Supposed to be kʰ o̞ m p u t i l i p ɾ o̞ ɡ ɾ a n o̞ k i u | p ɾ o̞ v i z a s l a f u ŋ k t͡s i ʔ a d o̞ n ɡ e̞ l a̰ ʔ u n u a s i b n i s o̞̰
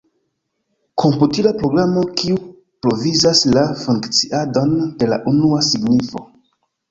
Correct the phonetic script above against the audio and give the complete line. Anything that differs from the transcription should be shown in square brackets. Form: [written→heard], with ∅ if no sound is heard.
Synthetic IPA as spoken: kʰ o̞ m p u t i l [i→a] p ɾ o̞ ɡ ɾ a [n→m] o̞ k i u | p ɾ o̞ v i z a s l a f u ŋ k t͡s i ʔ a d o̞ n [ɡ→d] e̞ l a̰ ʔ u n u a s i [b→ɡ] n i [s→f] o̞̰